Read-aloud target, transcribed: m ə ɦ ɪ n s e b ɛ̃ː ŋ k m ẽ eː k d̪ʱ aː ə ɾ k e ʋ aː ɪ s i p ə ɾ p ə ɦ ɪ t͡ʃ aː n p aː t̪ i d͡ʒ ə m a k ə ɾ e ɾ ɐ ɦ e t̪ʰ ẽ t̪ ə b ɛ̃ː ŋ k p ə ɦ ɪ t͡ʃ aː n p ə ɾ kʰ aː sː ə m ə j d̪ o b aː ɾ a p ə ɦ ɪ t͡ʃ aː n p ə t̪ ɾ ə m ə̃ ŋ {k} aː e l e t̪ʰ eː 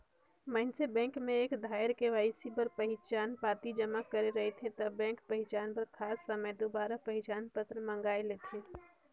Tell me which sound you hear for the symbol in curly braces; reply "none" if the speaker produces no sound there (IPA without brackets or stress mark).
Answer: ɡ